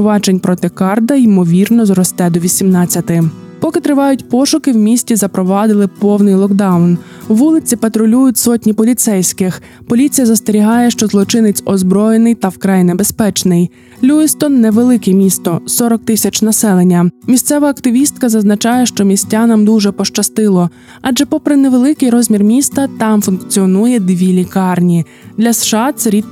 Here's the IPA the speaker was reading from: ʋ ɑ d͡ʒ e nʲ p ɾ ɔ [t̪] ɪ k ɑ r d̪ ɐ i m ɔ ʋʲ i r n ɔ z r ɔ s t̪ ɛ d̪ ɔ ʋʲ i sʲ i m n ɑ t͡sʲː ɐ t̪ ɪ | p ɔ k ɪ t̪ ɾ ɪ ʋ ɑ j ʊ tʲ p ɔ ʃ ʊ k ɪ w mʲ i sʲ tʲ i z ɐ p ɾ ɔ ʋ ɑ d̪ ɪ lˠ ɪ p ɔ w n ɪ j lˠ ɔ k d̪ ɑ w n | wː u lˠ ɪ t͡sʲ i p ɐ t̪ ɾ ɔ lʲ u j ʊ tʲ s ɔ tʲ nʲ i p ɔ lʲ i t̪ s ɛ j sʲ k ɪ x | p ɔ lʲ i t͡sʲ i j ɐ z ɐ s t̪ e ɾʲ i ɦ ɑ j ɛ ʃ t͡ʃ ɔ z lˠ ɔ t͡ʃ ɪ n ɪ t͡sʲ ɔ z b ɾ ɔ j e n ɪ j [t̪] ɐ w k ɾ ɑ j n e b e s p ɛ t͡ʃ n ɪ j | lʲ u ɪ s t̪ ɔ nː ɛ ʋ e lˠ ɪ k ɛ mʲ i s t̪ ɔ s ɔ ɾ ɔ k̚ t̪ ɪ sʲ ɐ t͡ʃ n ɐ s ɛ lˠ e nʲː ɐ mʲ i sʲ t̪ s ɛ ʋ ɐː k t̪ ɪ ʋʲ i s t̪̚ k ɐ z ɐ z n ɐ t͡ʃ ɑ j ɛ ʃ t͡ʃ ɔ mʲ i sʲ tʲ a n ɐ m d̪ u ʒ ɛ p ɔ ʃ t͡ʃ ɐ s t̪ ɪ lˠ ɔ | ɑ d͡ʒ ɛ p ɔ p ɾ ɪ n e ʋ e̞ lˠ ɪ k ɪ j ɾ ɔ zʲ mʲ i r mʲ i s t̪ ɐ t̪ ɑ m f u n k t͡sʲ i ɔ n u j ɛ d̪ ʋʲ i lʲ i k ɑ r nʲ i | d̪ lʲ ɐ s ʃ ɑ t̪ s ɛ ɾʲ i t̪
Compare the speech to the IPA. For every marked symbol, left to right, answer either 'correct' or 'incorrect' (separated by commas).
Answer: correct, correct